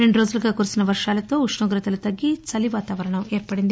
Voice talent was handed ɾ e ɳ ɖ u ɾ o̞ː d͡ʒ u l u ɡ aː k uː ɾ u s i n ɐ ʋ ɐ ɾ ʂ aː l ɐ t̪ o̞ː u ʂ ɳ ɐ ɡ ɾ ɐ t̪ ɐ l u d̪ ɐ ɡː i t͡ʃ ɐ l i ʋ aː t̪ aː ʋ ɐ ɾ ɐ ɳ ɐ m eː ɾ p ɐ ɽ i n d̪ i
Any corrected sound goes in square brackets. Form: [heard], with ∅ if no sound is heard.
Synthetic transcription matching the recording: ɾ e ɳ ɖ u ɾ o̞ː d͡ʒ u l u ɡ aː k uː ɾ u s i n ɐ ʋ ɐ ɾ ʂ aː l ɐ t̪ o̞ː u ʂ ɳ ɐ ɡ ɾ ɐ t̪ ɐ l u [t̪] ɐ ɡː i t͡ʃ ɐ l i ʋ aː t̪ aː ʋ ɐ ɾ ɐ ɳ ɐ m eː ɾ p ɐ ɽ i n d̪ i

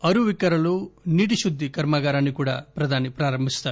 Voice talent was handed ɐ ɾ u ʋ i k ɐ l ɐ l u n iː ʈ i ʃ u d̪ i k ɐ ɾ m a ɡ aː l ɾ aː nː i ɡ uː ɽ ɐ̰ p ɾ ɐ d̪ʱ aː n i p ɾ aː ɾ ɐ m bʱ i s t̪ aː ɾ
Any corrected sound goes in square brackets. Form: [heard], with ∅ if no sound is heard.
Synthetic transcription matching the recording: ɐ ɾ u ʋ i k ɐ [ɾ] ɐ l u n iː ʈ i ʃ u [d̪ː] i k ɐ ɾ m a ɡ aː [∅] ɾ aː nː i [k] uː ɽ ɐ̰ p ɾ ɐ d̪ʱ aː n i p ɾ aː ɾ ɐ m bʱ i s t̪ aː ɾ

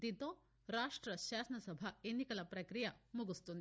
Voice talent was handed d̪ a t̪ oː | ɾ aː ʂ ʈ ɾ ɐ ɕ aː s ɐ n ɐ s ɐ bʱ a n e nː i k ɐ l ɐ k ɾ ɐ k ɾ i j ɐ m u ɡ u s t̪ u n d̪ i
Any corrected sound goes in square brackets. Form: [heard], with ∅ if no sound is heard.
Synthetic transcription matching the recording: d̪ [i] t̪ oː | ɾ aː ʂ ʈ ɾ ɐ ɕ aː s ɐ n ɐ s ɐ bʱ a [∅] e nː i k ɐ l ɐ [p] ɾ ɐ k ɾ i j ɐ m u ɡ u s t̪ u n d̪ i

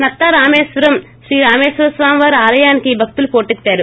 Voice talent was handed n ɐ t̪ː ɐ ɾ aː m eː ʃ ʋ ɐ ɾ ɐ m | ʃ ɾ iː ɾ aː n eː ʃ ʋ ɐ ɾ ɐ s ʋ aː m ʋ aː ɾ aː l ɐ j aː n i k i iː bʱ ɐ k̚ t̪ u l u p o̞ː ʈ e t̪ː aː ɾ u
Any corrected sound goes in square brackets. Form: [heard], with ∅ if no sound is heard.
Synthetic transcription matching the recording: n ɐ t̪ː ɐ ɾ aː m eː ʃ ʋ ɐ ɾ ɐ m | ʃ ɾ iː ɾ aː [m] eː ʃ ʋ ɐ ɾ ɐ s ʋ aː m ʋ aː ɾ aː l ɐ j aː n i k i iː bʱ ɐ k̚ t̪ u l u p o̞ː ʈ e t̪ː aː ɾ u

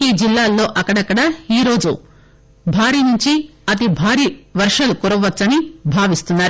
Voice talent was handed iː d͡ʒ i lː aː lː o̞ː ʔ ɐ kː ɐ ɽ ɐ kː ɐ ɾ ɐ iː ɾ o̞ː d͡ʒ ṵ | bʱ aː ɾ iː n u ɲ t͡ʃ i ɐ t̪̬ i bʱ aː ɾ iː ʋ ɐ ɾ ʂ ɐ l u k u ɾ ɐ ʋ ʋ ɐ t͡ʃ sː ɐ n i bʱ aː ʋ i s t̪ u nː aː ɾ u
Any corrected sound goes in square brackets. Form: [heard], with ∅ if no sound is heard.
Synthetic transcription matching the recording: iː d͡ʒ i lː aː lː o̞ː ʔ ɐ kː ɐ ɽ ɐ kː ɐ [ɽ] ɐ iː ɾ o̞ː d͡ʒ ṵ | bʱ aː ɾ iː n u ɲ t͡ʃ i ɐ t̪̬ i bʱ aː ɾ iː ʋ ɐ ɾ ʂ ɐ l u k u ɾ ɐ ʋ ʋ ɐ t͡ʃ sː ɐ n i bʱ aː ʋ i s t̪ u nː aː ɾ u

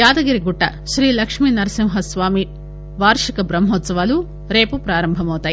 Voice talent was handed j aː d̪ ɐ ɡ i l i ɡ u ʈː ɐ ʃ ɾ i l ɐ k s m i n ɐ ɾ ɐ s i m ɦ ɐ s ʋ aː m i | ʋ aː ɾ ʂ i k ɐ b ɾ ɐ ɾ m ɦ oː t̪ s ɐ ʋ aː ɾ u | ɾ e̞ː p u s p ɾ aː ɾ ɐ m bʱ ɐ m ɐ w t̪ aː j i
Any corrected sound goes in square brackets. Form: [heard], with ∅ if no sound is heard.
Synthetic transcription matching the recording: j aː d̪ ɐ ɡ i [ɾ] i ɡ u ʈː ɐ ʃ ɾ [iː] l ɐ k [ʂ] m i n ɐ ɾ ɐ s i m ɦ ɐ s ʋ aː m i | ʋ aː ɾ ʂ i k ɐ b ɾ ɐ [∅] m ɦ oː t̪ s ɐ ʋ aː [l] u | ɾ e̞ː p u [∅] p ɾ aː ɾ ɐ m bʱ ɐ m ɐ w t̪ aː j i

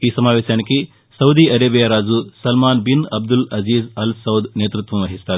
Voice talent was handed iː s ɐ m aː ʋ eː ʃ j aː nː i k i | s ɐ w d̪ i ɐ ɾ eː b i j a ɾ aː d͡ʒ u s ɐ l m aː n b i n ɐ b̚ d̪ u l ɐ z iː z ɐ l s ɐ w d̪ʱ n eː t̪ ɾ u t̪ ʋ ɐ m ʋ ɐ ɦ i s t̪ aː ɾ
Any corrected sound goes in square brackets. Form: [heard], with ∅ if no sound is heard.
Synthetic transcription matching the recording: iː s ɐ m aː ʋ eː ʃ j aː [n] i k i | s ɐ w d̪ i ɐ ɾ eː b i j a ɾ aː d͡ʒ u s ɐ l m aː n b i n ɐ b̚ d̪ u l ɐ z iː z ɐ l s ɐ w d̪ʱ n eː t̪ ɾ u t̪ ʋ ɐ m ʋ ɐ ɦ i s t̪ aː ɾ

